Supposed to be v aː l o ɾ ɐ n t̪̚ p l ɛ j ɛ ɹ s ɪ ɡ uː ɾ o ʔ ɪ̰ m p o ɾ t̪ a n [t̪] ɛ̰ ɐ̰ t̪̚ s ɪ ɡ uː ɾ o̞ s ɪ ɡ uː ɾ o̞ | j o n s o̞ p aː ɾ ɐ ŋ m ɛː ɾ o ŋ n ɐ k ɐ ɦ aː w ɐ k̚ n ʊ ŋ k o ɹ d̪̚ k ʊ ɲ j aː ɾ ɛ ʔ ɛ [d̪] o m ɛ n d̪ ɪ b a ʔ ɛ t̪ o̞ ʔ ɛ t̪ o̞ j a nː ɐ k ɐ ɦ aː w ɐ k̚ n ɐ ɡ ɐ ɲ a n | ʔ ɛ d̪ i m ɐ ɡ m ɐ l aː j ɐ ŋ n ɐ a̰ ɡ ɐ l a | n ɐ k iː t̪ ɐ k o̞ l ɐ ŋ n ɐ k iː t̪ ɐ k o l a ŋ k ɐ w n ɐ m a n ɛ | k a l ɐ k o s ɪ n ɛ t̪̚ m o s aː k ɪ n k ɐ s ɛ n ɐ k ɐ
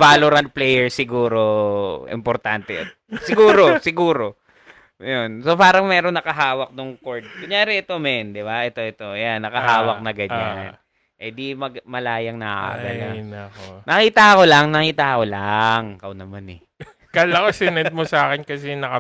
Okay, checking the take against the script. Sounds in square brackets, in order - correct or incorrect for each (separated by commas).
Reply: correct, incorrect